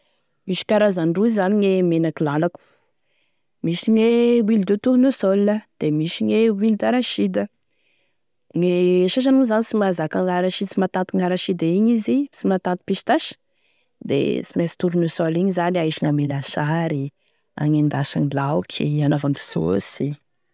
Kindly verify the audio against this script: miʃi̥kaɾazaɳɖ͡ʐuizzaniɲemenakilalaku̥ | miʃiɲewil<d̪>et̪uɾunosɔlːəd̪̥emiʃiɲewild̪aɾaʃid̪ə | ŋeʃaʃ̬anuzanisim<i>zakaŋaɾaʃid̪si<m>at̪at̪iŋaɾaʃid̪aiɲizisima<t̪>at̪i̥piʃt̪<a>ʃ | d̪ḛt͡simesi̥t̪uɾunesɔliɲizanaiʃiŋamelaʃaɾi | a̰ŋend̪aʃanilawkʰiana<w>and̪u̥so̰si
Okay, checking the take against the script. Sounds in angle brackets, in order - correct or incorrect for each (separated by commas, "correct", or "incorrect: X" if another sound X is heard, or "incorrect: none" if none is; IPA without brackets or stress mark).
correct, incorrect: a, correct, correct, correct, incorrect: v